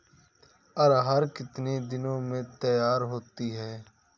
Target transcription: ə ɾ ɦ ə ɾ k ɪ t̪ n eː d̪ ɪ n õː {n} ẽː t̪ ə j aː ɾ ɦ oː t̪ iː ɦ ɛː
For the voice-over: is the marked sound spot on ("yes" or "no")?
no